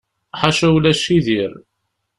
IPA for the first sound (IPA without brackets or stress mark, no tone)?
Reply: ħ